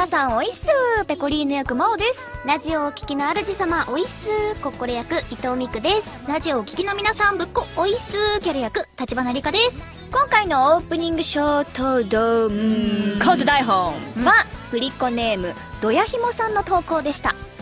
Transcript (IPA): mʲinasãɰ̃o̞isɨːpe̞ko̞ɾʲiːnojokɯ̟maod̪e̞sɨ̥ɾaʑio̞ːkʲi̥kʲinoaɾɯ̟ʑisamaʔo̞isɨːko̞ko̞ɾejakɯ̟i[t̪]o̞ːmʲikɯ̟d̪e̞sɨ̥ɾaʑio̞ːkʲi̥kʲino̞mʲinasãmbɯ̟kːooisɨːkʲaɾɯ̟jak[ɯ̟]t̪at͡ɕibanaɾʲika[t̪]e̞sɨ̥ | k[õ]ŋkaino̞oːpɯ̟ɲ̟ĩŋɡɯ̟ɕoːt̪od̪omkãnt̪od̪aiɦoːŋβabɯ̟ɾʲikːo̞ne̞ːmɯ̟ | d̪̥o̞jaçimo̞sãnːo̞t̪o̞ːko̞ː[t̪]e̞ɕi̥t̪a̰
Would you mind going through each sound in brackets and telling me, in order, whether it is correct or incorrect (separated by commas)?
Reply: correct, correct, incorrect, correct, incorrect